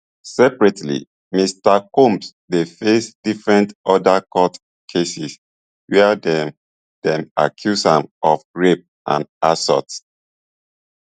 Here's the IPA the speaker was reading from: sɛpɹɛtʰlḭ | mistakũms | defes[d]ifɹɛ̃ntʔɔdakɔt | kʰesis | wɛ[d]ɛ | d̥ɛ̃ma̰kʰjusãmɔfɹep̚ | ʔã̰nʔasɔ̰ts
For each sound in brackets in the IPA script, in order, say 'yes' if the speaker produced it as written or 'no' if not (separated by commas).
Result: yes, yes